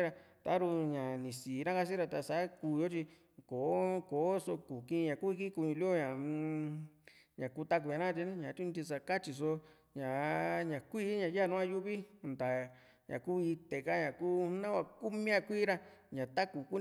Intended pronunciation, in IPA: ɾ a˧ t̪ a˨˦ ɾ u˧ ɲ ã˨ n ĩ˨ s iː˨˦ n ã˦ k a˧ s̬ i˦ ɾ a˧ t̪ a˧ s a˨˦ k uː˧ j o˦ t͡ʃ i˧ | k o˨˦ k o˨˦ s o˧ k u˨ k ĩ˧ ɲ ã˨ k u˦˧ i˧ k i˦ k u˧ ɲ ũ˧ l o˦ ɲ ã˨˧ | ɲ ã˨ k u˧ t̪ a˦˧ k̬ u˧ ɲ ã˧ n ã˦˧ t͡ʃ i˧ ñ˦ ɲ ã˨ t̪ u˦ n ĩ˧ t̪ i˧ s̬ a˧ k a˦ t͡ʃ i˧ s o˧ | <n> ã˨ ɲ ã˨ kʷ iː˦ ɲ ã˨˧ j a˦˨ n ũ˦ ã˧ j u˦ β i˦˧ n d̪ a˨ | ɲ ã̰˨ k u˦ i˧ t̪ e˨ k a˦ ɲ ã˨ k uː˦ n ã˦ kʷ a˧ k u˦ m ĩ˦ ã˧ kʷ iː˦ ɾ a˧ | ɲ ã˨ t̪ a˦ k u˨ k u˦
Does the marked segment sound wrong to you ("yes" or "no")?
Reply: yes